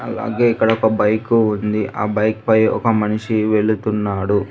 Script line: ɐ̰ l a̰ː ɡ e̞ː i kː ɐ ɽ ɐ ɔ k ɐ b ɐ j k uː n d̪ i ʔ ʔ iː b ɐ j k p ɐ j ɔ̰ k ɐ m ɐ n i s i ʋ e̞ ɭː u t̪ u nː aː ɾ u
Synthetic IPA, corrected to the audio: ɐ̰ l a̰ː ɡ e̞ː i kː ɐ ɽ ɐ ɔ k ɐ b ɐ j k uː n d̪ i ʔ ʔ aː b ɐ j k p ɐ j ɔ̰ k ɐ m ɐ n i ʂ i ʋ e̞ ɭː u t̪ u nː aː ɽ u